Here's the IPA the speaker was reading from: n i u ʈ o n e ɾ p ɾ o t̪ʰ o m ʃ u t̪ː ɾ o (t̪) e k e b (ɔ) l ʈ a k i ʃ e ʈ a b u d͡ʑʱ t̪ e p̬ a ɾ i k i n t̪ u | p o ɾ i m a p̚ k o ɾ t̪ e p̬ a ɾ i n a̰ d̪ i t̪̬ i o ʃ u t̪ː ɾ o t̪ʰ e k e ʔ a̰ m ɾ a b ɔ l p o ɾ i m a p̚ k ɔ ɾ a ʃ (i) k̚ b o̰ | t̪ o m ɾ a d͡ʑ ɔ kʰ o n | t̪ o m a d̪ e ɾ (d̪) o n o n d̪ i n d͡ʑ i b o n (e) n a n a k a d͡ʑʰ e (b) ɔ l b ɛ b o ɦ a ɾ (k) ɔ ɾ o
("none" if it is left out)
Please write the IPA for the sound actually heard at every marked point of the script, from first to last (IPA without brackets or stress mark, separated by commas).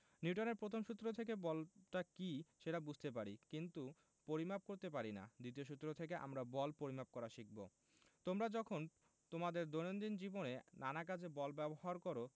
t̪ʰ, ɔ, i, d̪, e, b, k